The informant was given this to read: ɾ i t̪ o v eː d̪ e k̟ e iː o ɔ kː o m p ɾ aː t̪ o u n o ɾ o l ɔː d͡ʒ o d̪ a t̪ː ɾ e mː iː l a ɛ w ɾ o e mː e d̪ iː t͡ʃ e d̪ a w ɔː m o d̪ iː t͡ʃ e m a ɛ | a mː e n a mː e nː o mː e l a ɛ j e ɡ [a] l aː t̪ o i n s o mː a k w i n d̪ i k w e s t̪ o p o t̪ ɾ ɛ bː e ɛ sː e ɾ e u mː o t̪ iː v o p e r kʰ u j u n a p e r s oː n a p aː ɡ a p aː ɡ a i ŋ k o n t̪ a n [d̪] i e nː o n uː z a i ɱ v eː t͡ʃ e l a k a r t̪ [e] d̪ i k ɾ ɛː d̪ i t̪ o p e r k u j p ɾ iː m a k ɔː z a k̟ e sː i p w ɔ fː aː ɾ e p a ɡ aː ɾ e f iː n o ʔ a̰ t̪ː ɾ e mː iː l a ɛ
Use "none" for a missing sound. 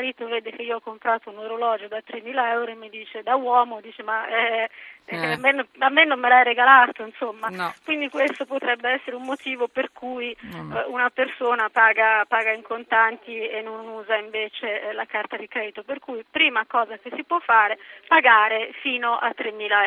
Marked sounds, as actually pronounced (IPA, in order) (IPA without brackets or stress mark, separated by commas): a, t̪, a